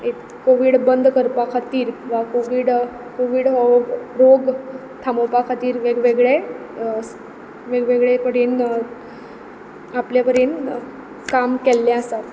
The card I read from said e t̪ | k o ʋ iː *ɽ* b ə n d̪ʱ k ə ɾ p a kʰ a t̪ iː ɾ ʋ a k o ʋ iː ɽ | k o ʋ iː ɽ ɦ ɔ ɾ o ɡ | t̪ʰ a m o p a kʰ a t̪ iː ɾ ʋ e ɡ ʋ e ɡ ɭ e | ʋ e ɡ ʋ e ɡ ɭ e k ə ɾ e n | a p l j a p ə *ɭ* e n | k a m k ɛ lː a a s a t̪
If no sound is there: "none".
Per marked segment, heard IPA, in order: ɽ, ɾ

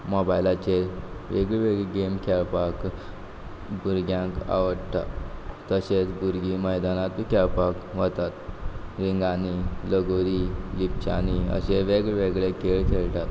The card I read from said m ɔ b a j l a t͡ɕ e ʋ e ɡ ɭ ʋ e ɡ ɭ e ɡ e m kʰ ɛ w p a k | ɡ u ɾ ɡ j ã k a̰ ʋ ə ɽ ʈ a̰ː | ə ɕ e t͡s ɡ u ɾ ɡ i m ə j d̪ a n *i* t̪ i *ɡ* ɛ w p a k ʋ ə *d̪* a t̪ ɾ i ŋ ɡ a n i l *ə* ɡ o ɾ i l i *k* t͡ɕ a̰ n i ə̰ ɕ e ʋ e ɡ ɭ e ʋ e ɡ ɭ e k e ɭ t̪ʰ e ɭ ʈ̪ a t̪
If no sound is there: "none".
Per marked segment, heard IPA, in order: a, k, t̪, ə, p

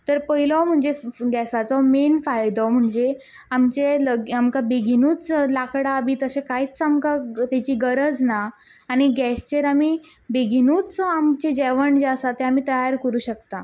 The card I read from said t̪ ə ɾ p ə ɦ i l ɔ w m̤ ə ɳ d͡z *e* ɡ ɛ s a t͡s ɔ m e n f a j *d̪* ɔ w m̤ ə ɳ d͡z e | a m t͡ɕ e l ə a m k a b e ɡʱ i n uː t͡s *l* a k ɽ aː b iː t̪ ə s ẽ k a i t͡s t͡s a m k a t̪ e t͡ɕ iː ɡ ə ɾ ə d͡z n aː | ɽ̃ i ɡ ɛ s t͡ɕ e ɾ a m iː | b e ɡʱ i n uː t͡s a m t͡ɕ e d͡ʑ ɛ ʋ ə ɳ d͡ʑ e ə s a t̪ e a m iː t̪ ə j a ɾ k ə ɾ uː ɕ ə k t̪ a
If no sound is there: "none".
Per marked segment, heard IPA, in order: e, d̪, l

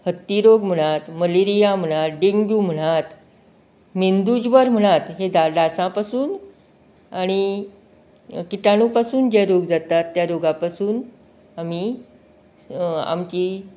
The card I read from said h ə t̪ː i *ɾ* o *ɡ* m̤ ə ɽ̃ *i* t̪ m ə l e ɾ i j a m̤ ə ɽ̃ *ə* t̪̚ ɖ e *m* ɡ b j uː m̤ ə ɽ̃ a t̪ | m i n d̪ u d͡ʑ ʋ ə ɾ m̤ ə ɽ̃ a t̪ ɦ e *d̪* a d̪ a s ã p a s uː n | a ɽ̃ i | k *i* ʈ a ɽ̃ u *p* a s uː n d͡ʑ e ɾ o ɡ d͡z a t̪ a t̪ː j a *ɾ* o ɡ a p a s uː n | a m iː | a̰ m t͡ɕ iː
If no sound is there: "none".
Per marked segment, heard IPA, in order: ɾ, ɡ, a, a, ŋ, d̪, i, p, ɾ

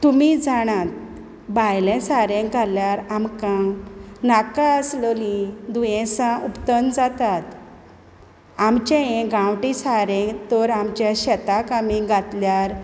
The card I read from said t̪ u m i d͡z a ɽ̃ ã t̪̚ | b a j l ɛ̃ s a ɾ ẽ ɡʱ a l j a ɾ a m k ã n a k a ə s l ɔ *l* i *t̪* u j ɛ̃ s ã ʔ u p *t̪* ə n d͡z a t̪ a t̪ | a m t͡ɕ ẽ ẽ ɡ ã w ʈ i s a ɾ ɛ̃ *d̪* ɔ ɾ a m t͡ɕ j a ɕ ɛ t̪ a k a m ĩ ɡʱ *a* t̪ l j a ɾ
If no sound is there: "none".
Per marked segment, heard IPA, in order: l, d̪, t̪, t̪, a

